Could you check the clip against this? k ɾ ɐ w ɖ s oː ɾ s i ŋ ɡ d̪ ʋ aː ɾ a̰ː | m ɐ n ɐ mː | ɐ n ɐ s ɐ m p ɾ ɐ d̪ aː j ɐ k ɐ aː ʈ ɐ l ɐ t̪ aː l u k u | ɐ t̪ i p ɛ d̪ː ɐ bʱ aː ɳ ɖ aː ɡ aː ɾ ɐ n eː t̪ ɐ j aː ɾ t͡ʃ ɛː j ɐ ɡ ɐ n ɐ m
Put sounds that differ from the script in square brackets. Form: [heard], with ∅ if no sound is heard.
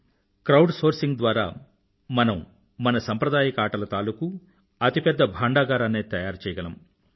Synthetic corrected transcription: k ɾ ɐ w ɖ s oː ɾ s i ŋ ɡ d̪ ʋ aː ɾ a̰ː | m ɐ n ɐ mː | ɐ n ɐ s ɐ m p ɾ ɐ d̪ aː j ɐ k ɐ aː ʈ ɐ l ɐ t̪ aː l u k u | ɐ t̪ i p ɛ d̪ː ɐ bʱ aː ɳ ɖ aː ɡ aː ɾ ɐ n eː t̪ ɐ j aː ɾ t͡ʃ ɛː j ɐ ɡ ɐ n ɐ m